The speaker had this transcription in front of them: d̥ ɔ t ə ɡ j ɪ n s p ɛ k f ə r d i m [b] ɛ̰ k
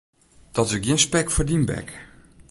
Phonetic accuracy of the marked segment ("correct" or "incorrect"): correct